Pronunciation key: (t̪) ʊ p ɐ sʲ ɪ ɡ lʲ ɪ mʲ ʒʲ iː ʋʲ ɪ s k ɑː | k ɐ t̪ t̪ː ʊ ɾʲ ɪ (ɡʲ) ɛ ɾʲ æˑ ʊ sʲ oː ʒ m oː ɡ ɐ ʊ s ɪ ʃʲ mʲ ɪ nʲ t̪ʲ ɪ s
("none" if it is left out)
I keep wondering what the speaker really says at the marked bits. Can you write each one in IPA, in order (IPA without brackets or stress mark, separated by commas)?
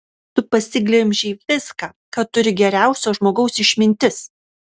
t̪, ɡʲ